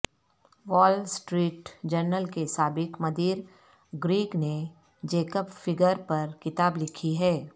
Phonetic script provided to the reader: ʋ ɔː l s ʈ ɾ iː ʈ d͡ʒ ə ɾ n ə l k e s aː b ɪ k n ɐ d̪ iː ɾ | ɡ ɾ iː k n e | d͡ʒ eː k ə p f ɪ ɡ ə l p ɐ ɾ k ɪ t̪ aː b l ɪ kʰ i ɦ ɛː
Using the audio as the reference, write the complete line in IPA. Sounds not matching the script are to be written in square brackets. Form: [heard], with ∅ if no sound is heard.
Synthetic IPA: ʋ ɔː l s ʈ ɾ iː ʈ d͡ʒ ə ɾ n ə l k e s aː b ɪ k [m] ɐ d̪ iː ɾ | ɡ ɾ iː k n e | d͡ʒ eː k ə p f ɪ ɡ ə [ɾ] p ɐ ɾ k ɪ t̪ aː b l ɪ kʰ i ɦ ɛː